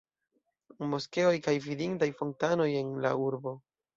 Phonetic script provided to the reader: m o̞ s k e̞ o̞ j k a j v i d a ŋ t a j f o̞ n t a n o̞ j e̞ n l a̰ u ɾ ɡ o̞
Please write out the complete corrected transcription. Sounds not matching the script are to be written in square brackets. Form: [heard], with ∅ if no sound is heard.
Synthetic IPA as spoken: m o̞ s k e̞ o̞ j k a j v i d [i] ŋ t a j f o̞ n t a n o̞ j e̞ n l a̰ u ɾ [b] o̞